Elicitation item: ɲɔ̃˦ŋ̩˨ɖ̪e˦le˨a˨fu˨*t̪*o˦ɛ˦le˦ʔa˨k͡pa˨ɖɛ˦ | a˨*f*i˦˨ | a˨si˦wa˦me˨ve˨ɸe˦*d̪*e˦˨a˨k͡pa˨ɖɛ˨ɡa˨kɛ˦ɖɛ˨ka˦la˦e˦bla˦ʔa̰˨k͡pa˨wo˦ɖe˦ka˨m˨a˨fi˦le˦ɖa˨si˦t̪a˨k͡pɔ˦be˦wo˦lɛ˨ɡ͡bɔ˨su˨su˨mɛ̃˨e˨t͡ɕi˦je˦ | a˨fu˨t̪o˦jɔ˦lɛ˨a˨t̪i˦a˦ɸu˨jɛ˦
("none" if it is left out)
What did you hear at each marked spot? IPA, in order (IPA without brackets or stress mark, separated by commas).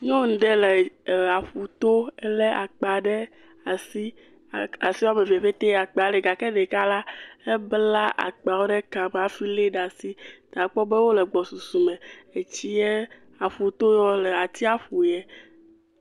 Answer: t̪, s, t̪